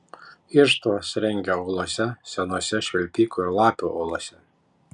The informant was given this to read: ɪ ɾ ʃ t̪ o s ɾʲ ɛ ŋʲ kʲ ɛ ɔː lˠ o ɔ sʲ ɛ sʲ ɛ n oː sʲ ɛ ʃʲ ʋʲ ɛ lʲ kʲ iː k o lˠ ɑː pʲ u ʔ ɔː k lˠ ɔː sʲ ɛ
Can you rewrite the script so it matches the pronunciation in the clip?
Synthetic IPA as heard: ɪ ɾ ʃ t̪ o s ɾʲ ɛ ŋʲ ɡʲ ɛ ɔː lˠ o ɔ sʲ ɛ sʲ ɛ n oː sʲ ɛ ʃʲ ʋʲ ɛ lʲ pʲ iː k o lˠ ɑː pʲ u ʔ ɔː lˠ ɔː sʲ ɛ